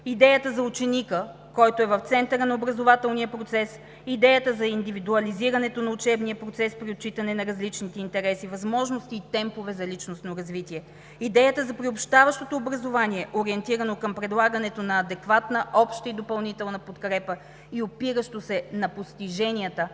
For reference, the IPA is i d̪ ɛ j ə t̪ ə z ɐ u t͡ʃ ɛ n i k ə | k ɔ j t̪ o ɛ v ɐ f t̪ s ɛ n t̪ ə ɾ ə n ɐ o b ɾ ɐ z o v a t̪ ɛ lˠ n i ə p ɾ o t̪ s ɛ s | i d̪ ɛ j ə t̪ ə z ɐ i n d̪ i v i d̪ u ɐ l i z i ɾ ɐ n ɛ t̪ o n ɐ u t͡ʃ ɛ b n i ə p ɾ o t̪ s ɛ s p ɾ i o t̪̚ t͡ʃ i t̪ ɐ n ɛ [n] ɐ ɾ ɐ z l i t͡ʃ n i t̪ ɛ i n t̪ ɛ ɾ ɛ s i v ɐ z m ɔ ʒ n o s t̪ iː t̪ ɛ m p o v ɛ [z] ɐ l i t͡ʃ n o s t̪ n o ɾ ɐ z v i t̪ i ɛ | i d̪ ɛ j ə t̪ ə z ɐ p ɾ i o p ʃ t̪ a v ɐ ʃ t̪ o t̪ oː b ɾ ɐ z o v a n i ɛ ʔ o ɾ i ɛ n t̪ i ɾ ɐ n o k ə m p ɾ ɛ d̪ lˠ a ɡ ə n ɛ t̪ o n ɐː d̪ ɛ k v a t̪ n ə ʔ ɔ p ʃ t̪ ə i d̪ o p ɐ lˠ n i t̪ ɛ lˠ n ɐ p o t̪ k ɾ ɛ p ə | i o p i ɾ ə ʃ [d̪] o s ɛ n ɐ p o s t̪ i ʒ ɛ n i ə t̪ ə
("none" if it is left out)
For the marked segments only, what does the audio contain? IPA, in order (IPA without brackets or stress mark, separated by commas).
n, z, t̪